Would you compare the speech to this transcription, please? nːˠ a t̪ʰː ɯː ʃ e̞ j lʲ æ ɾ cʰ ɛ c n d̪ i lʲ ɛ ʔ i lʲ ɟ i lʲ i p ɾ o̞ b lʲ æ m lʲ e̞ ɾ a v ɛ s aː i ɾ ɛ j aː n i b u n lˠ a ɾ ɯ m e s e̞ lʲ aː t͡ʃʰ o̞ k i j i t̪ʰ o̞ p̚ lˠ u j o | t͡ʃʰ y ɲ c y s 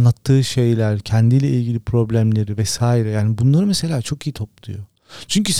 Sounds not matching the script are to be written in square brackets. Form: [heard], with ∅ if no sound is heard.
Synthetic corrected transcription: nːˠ a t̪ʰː ɯː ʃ e̞ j lʲ æ ɾ cʰ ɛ [∅] n d̪ i lʲ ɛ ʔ i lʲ ɟ i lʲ i p ɾ o̞ b lʲ æ m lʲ e̞ ɾ [i] v ɛ s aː i ɾ ɛ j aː n i b u n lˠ a ɾ ɯ m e s e̞ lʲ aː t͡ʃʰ o̞ k i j i t̪ʰ o̞ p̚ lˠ u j o | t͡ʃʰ y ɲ c y s